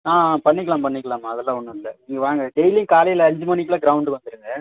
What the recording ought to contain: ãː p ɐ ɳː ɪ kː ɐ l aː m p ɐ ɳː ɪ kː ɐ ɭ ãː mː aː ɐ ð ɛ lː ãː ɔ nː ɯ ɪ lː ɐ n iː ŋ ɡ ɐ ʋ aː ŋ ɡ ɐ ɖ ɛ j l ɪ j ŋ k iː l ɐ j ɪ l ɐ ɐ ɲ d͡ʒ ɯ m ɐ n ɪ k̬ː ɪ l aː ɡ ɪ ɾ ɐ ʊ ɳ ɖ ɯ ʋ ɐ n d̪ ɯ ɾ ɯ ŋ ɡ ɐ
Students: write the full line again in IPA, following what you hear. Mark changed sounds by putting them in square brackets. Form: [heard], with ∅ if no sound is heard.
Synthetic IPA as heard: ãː p ɐ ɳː ɪ kː ɐ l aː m p ɐ ɳː ɪ kː ɐ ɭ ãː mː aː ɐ ð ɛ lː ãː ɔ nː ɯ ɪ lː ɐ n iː ŋ ɡ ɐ ʋ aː ŋ ɡ ɐ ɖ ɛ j l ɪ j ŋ k [aː] l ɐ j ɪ l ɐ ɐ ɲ d͡ʒ ɯ m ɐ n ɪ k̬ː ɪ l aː ɡ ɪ ɾ ɐ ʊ ɳ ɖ ɯ ʋ ɐ n d̪ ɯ ɾ ɯ ŋ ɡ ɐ